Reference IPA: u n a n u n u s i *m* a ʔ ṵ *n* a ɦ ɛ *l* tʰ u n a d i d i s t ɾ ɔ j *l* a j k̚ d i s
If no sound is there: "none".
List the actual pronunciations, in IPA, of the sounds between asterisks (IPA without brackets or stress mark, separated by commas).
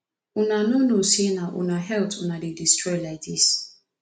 n, n, l, l